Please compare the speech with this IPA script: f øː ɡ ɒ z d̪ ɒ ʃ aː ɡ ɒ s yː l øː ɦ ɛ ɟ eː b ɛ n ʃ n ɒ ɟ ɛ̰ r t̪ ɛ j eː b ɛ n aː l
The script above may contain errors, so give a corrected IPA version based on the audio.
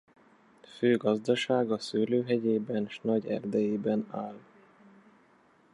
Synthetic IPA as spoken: f øː ɡ ɒ z d̪ ɒ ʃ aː ɡ ɒ s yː l øː ɦ ɛ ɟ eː b ɛ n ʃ n ɒ ɟ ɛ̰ r d̪ ɛ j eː b ɛ n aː l